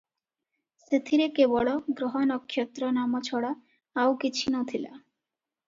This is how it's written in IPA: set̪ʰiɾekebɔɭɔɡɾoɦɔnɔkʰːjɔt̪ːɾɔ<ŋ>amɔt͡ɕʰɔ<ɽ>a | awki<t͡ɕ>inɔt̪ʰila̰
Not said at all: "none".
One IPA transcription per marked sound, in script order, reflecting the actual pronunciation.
n, ɽ, t͡ɕʰ

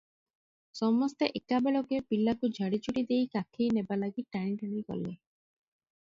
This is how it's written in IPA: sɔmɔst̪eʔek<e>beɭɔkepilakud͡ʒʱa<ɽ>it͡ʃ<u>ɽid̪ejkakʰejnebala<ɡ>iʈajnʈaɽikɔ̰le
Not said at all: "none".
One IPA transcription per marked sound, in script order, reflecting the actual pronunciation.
a, ɽ, u, ɡ

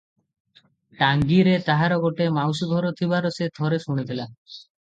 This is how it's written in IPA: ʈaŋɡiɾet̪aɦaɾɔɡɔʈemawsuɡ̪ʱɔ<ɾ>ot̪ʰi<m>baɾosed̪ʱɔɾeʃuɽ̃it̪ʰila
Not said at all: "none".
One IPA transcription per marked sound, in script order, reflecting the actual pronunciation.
ɾ, none

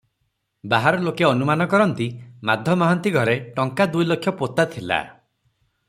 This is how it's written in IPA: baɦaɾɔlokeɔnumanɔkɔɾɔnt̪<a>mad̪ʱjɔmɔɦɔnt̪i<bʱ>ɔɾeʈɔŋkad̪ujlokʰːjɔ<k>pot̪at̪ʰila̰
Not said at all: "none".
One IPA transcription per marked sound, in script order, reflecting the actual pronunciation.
i, ɡʱ, none

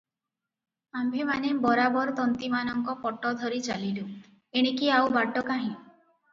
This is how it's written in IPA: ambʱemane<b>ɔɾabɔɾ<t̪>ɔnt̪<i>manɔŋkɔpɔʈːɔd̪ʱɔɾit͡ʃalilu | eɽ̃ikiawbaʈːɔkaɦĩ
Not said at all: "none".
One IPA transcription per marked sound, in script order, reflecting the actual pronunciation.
b, t̪, i

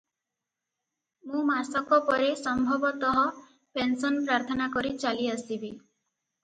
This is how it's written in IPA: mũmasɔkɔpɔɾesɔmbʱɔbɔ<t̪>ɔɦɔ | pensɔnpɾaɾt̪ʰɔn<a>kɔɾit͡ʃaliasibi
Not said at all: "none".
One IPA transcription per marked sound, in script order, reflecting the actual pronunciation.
t̪, a

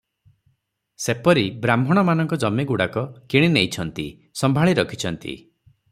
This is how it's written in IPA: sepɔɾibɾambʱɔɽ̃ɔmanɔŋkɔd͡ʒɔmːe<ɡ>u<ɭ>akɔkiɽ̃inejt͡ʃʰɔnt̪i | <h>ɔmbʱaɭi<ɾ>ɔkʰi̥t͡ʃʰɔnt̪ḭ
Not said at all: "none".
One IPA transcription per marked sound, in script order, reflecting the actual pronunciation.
ɡ, ɽ, s, ɾ

